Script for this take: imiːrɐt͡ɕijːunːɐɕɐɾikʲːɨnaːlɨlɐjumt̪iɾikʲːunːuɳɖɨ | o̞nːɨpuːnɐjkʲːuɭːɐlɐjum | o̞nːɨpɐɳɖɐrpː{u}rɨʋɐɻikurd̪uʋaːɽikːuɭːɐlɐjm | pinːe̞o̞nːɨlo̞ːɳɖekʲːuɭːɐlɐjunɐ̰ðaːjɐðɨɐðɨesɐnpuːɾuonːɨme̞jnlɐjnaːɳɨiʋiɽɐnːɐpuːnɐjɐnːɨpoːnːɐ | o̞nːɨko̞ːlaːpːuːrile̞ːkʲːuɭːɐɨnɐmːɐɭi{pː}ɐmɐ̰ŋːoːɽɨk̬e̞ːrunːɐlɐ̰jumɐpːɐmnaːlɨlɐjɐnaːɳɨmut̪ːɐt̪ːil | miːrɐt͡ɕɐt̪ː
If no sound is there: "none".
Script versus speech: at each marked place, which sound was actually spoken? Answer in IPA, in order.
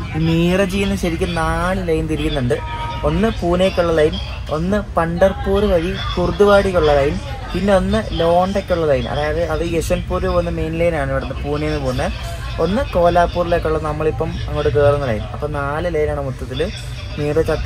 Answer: uː, pː

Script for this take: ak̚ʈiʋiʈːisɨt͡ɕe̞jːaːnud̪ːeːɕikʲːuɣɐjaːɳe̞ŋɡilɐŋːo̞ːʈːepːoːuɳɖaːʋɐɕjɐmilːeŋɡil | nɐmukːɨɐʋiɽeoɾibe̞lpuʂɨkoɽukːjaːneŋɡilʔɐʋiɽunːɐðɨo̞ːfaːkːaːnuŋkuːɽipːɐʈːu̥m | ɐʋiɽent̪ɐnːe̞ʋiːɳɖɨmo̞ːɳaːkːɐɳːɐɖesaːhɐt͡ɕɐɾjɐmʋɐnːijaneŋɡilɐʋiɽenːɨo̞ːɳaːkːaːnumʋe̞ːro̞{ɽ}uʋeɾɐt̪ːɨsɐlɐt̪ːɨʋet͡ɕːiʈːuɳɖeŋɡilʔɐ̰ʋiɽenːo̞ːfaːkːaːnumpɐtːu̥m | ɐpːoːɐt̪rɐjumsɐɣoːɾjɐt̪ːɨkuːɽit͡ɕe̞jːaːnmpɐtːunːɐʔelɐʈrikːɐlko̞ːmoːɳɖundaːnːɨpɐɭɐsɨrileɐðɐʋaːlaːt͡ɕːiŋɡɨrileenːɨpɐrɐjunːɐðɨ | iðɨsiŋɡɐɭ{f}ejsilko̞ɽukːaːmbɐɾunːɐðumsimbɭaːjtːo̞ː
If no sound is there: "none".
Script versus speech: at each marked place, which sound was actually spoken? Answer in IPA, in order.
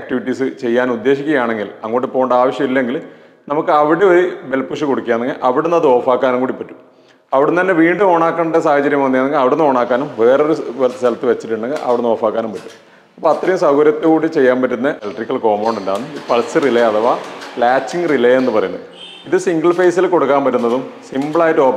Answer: ɾ, f

